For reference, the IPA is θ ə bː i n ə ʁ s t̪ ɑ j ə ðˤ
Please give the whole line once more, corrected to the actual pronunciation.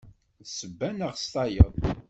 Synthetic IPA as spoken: s ə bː æ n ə ʁ s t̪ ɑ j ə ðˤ

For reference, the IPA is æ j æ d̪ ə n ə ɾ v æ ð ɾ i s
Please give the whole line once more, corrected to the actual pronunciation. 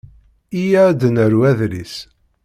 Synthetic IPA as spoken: i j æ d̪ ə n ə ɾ w æ ð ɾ i s

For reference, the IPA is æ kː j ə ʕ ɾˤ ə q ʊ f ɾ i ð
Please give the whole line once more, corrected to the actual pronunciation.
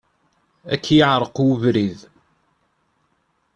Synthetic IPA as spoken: æ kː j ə ʕ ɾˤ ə q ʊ v ɾ i ð

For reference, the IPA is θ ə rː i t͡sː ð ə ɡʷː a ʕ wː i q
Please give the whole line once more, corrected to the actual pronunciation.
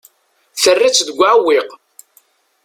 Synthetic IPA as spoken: θ ə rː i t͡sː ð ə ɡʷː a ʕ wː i q

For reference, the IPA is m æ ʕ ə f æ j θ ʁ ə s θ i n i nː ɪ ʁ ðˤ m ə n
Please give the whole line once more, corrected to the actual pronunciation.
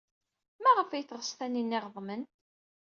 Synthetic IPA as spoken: m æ ʁ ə f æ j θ ʁ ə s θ æ n i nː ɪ ʁ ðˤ m ə n

